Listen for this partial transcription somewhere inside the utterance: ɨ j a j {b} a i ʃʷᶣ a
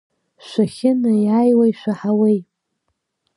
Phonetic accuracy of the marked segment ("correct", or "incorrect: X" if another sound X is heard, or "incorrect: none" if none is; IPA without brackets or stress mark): incorrect: w